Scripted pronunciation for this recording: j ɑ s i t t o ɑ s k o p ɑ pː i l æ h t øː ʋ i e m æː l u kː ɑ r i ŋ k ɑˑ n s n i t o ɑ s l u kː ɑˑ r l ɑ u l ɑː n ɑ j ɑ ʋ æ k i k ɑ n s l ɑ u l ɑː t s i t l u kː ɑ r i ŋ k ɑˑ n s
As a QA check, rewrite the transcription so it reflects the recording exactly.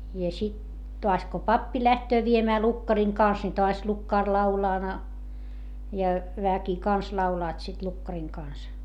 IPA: j ɑ s i t t o ɑ s k o p ɑ pː i l æ h t øː ʋ i e m æː l u kː ɑ r i ŋ k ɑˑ n s n i t o ɑ s l u kː ɑˑ r l ɑ u l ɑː n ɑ j ɑ ʋ æ k i k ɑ n s l ɑ u l ɑː t s i t l u kː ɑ r i ŋ k ɑˑ n s